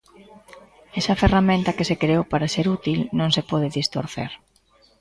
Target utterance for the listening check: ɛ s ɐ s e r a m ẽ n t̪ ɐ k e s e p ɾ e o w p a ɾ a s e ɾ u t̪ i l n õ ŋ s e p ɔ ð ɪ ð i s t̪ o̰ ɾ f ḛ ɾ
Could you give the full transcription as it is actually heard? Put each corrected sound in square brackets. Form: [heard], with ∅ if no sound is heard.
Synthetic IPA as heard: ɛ s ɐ [f] e r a m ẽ n t̪ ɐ k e s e [k] ɾ e o w p a ɾ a s e ɾ u t̪ i l n õ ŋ s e p ɔ ð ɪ ð i s t̪ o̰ ɾ [θ] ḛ ɾ